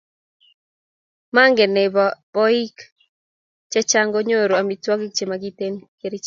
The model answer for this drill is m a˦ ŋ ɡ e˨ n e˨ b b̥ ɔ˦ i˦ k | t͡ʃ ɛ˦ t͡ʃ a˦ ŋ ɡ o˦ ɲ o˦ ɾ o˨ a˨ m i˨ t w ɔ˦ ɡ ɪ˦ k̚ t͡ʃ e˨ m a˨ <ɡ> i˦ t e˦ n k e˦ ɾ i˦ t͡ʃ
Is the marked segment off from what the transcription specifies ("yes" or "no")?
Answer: no